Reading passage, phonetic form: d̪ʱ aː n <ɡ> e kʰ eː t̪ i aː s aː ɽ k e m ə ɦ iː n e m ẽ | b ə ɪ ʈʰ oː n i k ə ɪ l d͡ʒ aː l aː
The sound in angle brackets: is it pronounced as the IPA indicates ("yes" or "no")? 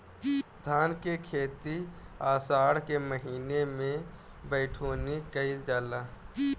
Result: no